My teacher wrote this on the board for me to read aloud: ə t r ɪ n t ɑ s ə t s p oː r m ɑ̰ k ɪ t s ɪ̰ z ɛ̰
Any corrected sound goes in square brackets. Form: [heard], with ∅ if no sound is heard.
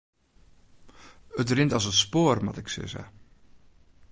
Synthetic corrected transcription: ə t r ɪ n t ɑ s ə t s p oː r m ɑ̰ [t] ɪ [k] s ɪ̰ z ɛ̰